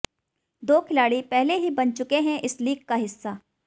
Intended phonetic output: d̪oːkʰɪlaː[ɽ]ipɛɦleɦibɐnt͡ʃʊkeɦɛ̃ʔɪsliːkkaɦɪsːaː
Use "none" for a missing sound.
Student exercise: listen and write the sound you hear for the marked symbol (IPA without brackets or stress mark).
ɽ